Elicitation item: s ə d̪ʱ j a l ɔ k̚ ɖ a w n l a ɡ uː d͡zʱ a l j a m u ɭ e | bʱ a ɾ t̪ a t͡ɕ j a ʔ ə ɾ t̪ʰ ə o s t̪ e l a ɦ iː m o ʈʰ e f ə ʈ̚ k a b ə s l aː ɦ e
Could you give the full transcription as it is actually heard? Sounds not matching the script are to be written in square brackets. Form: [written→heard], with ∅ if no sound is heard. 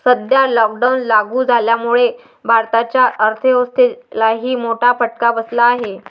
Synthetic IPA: s ə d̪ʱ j a l ɔ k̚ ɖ a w n l a ɡ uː d͡zʱ a l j a m u ɭ e | bʱ a ɾ t̪ a t͡ɕ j a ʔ ə ɾ t̪ʰ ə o s t̪ e l a ɦ iː m o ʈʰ [e→a] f ə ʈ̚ k a b ə s l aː ɦ e